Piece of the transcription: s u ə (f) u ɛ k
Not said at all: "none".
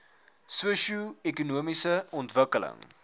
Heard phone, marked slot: ʃ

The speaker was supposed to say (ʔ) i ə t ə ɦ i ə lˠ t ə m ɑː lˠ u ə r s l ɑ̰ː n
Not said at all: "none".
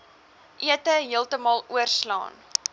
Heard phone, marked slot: ʔ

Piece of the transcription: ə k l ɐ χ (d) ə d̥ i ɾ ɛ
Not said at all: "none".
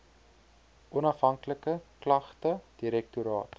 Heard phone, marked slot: t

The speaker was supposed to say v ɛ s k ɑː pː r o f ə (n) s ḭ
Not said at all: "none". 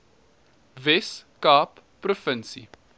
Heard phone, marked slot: n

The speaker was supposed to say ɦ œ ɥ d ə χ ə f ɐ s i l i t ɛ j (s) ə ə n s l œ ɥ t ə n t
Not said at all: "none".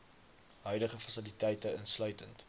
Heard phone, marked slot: t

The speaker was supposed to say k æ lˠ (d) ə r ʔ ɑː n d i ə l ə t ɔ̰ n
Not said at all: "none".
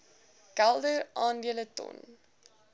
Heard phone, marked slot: d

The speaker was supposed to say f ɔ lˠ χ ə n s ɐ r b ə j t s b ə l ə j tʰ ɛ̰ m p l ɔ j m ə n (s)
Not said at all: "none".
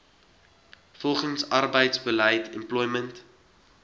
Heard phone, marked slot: t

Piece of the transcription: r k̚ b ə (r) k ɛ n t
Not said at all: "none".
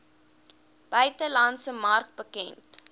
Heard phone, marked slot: none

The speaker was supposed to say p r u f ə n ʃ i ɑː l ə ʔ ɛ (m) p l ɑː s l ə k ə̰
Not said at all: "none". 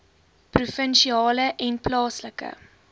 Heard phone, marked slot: n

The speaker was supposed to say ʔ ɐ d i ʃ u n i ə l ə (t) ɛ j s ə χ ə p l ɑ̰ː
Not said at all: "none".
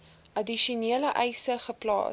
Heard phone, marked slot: ʔ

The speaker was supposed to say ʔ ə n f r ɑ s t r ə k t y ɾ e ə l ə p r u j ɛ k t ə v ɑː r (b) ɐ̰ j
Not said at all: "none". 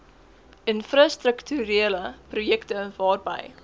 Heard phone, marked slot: b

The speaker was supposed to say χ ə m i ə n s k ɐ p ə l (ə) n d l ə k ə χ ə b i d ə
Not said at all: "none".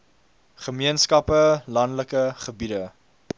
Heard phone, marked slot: ɐ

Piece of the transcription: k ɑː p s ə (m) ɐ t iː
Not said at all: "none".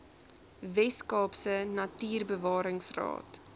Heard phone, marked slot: n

